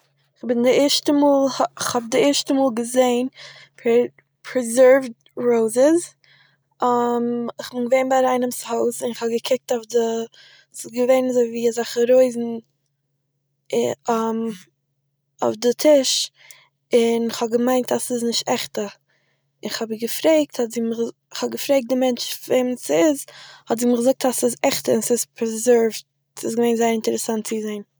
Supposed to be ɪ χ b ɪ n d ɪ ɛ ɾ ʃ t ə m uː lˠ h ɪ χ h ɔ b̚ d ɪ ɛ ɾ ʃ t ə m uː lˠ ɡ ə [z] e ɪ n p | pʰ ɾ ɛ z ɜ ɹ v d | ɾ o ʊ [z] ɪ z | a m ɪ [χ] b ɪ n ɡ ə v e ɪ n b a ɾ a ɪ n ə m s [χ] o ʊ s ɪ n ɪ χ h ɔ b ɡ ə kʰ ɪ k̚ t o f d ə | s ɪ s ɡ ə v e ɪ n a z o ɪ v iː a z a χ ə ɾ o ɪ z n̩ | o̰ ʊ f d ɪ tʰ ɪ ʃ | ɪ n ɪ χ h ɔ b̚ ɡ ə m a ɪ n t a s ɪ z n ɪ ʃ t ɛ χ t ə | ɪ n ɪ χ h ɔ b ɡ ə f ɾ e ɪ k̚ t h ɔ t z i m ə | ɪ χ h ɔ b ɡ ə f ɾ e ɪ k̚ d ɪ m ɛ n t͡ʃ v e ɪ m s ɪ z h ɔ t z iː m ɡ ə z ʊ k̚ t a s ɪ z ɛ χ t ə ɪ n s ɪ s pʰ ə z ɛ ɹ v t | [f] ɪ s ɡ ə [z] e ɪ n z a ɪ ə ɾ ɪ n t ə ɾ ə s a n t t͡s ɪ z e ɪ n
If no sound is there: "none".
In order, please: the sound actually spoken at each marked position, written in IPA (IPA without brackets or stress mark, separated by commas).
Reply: z, z, χ, h, s, v